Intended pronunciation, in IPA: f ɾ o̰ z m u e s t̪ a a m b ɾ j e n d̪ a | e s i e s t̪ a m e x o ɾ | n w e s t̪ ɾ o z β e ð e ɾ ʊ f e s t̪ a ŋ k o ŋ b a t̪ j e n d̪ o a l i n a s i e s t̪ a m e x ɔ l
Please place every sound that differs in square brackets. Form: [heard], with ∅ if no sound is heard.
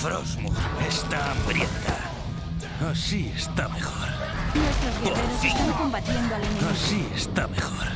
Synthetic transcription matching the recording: f ɾ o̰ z m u e s t̪ a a m b ɾ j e n [t̪] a | [a] s i e s t̪ a m e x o ɾ | n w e s t̪ ɾ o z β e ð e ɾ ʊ [s] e s t̪ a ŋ k o [m] b a t̪ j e n d̪ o a l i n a s i e s t̪ a m e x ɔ [ɾ]